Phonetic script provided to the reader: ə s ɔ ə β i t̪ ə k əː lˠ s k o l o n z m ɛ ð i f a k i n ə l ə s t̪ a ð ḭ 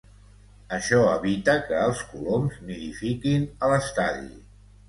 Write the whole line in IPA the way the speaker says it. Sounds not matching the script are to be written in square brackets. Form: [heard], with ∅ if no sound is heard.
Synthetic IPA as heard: ə [ʃ] ɔ ə β i t̪ ə k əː lˠ s k [u] l o [m] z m [i] ð i f [i] k i n ə l ə s t̪ a ð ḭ